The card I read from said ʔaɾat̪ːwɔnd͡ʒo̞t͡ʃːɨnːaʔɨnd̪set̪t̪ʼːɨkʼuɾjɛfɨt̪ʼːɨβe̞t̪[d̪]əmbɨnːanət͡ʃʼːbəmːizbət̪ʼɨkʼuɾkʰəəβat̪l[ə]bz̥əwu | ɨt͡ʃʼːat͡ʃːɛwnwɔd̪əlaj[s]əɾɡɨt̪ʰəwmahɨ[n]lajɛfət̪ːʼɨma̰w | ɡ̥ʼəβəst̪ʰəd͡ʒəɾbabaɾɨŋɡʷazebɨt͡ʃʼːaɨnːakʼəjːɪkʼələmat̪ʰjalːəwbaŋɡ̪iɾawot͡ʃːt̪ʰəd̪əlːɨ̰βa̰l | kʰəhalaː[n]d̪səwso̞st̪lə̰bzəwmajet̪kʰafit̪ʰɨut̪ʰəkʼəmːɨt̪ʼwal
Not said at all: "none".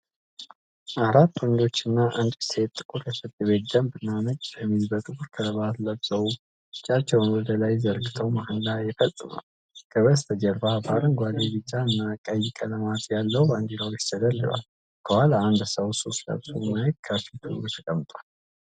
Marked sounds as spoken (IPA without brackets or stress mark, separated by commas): d̪, ə, z, n, n